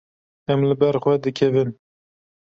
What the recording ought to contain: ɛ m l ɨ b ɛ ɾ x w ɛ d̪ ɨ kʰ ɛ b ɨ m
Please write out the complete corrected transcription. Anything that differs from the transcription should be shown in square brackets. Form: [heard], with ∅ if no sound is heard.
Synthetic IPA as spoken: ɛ m l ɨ b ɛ ɾ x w ɛ d̪ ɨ kʰ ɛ [v] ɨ [n]